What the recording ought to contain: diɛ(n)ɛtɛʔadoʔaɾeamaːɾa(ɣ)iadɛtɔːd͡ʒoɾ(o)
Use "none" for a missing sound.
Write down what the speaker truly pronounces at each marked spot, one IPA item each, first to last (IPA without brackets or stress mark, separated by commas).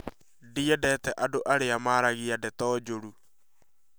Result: d, ɣ, u